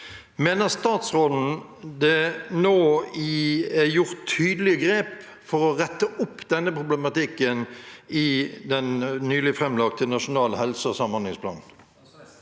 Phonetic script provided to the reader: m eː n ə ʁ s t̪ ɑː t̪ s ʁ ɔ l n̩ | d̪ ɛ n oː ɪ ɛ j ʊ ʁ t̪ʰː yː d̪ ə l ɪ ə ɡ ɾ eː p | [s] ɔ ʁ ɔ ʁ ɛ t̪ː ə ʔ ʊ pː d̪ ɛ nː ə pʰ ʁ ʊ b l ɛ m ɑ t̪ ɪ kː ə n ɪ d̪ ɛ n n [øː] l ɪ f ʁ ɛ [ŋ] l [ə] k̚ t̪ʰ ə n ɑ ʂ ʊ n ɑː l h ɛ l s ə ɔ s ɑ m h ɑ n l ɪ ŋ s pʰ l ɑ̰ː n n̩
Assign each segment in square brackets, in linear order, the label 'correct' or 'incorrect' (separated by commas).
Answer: incorrect, incorrect, incorrect, incorrect